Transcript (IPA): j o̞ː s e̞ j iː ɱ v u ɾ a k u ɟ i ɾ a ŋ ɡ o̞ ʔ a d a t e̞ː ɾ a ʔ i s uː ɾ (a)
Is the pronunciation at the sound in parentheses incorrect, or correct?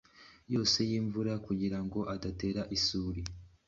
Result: incorrect: i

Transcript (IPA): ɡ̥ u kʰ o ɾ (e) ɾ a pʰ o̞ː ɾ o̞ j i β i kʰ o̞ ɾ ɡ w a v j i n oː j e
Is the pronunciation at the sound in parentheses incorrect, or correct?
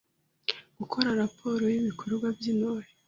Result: incorrect: a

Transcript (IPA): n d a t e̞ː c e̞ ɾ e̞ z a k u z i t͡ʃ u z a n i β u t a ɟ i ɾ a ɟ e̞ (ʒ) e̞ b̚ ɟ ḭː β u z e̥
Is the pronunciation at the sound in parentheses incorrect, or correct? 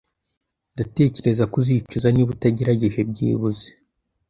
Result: correct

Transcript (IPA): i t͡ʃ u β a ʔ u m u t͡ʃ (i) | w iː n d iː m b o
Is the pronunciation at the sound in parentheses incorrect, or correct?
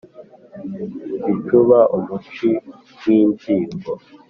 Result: correct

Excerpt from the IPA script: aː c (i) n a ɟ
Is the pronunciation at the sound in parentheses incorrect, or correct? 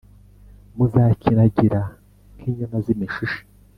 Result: correct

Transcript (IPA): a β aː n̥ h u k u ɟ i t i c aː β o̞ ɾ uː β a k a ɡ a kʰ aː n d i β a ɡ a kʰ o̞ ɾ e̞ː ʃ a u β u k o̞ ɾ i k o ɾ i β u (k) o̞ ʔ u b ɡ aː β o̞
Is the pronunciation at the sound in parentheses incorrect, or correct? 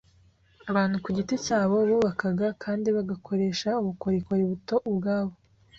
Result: incorrect: t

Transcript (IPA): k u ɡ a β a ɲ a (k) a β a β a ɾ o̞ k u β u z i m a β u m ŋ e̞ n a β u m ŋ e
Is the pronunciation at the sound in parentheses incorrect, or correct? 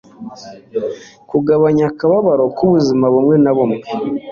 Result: correct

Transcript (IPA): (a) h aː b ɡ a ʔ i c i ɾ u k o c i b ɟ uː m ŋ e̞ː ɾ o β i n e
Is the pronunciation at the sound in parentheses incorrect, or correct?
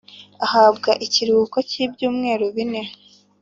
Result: correct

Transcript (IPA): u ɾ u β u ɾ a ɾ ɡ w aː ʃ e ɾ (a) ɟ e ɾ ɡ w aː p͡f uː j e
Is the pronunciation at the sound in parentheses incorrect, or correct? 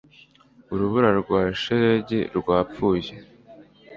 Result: incorrect: e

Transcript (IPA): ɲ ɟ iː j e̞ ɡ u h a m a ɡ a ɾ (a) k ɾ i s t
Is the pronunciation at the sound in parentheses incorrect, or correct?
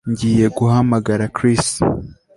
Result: correct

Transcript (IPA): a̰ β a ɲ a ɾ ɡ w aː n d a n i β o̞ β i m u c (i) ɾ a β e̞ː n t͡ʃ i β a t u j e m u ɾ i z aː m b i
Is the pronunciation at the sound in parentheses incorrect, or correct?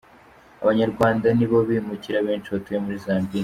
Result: correct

